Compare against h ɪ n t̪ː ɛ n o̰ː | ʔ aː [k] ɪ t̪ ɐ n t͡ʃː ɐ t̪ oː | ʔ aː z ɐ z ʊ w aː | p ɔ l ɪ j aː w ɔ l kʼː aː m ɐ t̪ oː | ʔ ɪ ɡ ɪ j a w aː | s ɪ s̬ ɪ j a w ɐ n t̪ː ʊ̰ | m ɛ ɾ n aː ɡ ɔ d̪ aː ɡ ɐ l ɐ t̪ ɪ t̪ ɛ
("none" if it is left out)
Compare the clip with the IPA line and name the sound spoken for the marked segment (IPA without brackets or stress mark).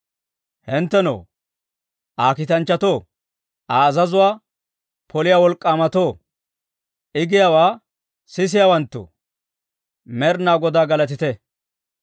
k